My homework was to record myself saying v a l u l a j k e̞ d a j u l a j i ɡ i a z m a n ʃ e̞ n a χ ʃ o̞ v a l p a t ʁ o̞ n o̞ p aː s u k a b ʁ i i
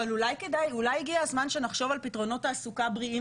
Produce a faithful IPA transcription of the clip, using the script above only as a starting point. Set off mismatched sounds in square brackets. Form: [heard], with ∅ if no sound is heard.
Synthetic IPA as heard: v a l u l a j k e̞ d a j u l a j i ɡ i a z m a n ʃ e̞ n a χ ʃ o̞ v a l p [i] t ʁ o̞ n o̞ [t] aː s u k a b ʁ i i